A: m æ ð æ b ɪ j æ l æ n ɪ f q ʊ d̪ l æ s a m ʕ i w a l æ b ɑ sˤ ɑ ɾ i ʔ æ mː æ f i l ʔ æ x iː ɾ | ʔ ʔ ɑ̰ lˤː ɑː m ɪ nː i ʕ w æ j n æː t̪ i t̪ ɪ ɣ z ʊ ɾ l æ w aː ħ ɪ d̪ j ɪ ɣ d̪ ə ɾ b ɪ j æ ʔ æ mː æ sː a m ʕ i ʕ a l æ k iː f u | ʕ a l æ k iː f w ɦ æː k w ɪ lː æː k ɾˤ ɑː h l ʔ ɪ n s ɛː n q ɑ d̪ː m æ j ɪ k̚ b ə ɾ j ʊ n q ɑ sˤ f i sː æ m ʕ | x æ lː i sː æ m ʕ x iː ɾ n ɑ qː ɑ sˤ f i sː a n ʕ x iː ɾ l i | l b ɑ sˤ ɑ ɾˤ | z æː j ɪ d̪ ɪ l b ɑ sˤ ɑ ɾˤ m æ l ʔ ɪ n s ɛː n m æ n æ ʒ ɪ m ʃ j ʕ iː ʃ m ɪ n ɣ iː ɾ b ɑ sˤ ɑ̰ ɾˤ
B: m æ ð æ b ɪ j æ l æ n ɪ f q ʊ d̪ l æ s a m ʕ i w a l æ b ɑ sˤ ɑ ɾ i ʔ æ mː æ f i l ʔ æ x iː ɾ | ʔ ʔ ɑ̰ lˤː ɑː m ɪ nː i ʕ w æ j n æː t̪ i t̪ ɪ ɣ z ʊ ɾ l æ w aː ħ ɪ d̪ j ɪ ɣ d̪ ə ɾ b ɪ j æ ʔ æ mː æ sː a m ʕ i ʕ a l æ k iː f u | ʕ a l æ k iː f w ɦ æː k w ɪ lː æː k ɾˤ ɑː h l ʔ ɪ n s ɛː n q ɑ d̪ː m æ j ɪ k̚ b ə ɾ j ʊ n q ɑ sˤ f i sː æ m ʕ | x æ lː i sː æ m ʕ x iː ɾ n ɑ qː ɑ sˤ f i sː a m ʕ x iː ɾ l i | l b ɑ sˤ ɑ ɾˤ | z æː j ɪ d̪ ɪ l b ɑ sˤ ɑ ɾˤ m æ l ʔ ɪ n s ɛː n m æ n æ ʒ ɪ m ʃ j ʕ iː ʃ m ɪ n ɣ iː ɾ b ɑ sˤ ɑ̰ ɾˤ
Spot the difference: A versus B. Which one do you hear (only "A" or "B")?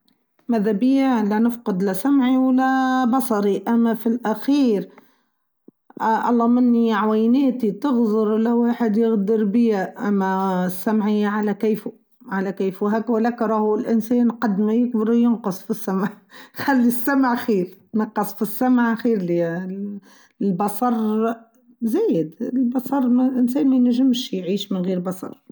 B